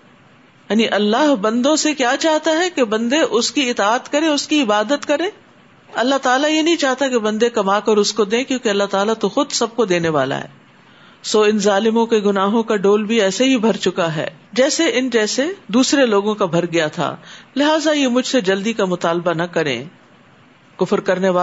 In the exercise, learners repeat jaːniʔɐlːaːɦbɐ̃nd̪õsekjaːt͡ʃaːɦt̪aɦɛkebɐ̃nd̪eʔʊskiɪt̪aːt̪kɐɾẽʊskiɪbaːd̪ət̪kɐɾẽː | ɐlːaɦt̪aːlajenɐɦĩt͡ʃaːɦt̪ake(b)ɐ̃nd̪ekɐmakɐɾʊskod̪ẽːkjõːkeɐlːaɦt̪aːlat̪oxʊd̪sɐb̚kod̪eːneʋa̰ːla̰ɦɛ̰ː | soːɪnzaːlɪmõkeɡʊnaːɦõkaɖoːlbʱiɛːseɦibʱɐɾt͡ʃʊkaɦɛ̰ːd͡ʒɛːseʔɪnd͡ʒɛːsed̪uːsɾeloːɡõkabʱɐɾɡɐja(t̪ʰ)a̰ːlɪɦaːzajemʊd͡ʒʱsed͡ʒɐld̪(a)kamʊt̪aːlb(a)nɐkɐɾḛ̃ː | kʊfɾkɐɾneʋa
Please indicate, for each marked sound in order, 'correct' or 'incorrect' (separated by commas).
correct, correct, incorrect, correct